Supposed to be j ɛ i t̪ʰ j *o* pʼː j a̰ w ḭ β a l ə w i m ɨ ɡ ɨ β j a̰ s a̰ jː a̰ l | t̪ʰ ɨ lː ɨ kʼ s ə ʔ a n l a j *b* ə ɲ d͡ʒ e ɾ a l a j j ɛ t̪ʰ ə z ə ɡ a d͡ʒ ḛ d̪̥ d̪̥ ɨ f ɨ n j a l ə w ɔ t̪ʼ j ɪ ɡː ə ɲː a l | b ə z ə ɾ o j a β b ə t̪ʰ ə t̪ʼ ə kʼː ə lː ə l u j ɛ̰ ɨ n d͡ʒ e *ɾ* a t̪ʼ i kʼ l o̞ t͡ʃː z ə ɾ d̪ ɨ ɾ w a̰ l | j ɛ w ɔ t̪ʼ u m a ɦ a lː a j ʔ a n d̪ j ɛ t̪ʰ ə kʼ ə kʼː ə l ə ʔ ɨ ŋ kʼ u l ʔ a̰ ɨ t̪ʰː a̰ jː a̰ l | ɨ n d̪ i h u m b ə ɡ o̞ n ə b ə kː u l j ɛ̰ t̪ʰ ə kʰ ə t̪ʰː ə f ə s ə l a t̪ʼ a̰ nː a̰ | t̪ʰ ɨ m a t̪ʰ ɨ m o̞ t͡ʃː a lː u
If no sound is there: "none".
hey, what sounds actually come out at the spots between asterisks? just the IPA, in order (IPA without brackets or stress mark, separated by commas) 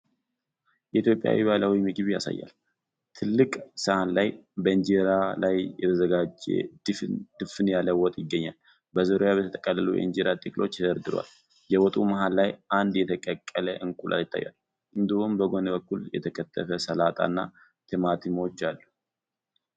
o, b, ɾ